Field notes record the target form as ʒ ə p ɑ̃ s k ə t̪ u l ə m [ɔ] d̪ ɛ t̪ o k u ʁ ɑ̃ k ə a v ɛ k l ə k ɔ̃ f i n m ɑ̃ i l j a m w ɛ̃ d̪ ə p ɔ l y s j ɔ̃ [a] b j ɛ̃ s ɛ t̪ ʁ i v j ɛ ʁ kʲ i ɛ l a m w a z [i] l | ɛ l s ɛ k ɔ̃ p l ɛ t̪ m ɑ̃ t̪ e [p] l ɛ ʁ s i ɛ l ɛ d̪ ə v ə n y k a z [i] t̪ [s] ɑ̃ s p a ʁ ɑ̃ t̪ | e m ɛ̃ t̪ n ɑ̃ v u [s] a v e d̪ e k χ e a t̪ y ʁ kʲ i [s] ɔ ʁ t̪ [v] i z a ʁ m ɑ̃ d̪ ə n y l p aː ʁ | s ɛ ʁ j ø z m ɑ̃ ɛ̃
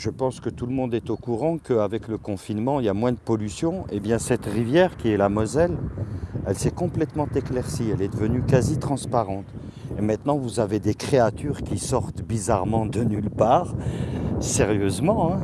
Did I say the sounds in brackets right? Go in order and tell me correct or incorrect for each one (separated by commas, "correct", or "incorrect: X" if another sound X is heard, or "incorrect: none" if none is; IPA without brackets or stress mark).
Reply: incorrect: ɔ̃, incorrect: e, incorrect: ɛ, incorrect: k, correct, incorrect: χ, incorrect: z, correct, incorrect: b